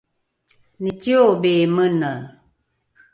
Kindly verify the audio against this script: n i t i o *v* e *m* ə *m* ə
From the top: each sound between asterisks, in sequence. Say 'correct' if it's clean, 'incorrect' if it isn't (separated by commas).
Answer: incorrect, correct, incorrect